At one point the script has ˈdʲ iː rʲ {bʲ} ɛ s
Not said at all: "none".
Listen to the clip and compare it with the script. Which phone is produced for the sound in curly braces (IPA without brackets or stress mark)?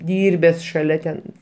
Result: bʲ